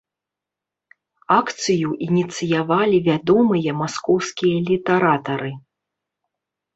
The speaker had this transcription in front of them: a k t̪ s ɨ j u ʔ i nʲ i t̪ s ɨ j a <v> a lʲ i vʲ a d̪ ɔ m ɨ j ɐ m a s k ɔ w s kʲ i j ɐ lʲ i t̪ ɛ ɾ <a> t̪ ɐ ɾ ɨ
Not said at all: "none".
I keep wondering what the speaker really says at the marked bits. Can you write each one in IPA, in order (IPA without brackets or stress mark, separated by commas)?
v, a